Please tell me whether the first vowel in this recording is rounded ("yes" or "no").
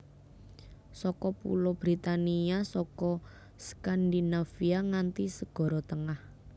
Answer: yes